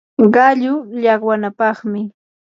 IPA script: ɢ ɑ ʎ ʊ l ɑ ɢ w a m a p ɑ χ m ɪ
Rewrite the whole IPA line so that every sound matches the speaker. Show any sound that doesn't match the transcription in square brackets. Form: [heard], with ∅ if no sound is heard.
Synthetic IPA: ɢ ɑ ʎ ʊ [ʎ] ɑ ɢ w a [n] a p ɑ χ m ɪ